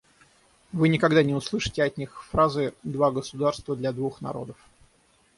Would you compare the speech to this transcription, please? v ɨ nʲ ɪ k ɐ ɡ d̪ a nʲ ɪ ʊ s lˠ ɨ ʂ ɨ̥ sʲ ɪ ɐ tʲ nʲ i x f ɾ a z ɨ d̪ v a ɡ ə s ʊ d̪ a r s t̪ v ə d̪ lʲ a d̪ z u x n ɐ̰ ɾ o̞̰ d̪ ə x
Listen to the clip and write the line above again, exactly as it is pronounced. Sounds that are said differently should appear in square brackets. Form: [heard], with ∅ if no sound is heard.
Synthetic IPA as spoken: v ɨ nʲ ɪ k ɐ ɡ d̪ a nʲ ɪ ʊ s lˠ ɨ ʂ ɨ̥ [tʲ] ɪ ɐ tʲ nʲ i x f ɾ a z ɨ d̪ v a ɡ ə s ʊ d̪ a r s t̪ v ə d̪ lʲ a d̪ [v] u x n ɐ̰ ɾ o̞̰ d̪ ə [f]